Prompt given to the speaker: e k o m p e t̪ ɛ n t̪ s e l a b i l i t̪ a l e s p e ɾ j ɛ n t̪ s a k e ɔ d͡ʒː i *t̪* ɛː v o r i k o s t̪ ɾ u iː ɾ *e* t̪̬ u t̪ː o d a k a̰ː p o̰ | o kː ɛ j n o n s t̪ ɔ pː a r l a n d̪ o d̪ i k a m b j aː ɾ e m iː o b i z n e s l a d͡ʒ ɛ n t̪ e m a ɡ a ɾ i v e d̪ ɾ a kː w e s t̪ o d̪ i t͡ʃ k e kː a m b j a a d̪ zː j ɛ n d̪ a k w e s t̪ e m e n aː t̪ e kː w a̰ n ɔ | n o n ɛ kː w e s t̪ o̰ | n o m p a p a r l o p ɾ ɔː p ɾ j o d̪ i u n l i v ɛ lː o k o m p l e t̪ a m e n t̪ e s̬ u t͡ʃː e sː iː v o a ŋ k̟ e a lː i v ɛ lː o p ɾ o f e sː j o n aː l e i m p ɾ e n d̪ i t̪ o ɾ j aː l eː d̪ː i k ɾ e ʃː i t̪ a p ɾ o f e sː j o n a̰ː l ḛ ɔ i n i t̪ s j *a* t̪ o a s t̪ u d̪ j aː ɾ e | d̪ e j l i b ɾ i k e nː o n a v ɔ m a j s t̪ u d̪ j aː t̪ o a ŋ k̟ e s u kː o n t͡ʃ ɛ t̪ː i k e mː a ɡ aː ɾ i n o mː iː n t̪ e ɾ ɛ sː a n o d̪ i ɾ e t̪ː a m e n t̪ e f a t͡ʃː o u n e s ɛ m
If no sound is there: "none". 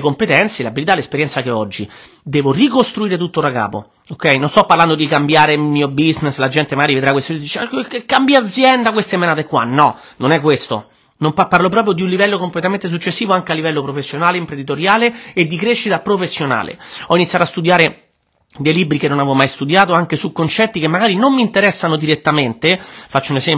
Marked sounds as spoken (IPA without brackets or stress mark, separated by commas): d̪, e, a